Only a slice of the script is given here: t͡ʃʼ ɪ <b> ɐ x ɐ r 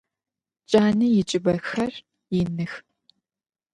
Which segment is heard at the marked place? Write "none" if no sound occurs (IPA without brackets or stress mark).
b